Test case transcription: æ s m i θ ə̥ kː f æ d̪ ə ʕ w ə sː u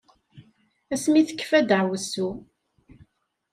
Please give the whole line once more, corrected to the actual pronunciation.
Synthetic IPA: æ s m i θ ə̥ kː f æ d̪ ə ʕ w ə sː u